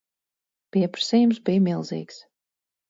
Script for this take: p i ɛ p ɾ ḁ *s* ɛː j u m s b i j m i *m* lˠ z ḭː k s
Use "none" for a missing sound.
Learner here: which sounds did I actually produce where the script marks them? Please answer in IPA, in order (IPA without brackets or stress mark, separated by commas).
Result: s, none